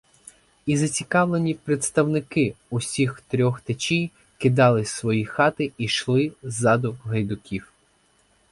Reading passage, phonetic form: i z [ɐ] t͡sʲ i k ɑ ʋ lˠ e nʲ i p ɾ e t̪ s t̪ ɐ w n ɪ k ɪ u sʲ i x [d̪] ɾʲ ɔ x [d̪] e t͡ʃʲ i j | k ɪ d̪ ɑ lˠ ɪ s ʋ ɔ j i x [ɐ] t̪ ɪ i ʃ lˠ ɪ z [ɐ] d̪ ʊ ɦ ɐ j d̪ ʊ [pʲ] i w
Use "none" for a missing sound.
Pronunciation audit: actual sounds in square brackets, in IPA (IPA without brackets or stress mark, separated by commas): ɐ, t̪, t̪, ɑ, ɑ, kʲ